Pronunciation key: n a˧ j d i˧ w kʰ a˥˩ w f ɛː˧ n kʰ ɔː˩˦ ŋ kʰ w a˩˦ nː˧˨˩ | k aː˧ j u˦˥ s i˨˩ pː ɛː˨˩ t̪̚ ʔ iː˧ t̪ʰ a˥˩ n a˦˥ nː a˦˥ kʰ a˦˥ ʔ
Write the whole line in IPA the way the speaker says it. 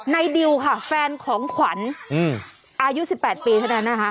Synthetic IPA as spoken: n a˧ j d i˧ w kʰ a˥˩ f ɛː˧ n kʰ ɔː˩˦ ŋ kʰ w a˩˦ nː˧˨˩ | ʔ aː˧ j u˦˥ s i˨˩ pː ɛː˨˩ t̪̚ p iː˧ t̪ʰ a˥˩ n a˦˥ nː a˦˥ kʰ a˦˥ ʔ